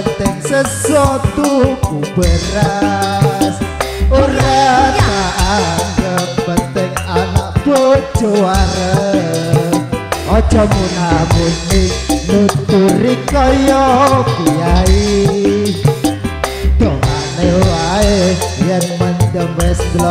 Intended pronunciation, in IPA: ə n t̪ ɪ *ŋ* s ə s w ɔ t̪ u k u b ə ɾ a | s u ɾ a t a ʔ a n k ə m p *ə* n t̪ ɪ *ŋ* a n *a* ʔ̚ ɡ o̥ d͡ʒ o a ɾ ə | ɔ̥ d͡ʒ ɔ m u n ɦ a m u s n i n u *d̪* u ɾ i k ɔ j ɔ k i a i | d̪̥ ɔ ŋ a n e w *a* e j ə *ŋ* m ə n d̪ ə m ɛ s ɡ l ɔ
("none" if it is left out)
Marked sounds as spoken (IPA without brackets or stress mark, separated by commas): ŋ, ə, ŋ, a, t̪, a, n